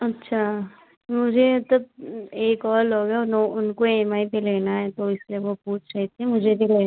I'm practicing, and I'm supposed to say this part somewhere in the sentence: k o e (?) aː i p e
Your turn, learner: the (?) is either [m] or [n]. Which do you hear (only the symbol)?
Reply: m